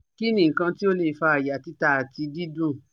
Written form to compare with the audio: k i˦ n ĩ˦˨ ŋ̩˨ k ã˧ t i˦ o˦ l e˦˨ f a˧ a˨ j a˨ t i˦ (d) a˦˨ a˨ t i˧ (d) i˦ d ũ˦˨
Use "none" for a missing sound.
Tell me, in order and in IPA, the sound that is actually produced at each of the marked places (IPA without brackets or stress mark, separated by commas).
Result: t, d